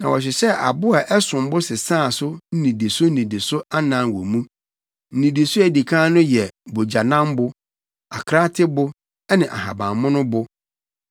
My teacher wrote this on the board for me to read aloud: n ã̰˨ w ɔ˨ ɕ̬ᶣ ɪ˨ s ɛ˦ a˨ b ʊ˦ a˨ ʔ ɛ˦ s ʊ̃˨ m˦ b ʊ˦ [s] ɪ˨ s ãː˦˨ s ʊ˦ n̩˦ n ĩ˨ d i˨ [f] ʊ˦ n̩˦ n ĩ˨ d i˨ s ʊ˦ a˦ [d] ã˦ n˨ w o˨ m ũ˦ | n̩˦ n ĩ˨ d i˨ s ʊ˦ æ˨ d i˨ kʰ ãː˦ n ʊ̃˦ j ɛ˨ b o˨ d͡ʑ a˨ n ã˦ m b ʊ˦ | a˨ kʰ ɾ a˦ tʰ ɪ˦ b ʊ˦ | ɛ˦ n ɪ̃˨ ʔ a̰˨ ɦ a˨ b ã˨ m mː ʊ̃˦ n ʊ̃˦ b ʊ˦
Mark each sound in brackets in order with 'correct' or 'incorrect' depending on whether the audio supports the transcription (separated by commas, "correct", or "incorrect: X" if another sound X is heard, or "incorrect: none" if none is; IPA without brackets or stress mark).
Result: correct, incorrect: s, incorrect: n